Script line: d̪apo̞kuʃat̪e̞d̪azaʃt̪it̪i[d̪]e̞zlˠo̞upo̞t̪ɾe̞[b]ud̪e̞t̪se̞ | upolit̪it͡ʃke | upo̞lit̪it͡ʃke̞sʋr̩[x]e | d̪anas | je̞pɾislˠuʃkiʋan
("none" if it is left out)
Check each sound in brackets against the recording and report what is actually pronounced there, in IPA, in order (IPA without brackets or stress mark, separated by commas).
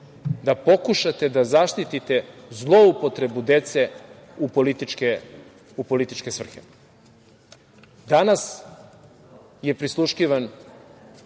t̪, b, x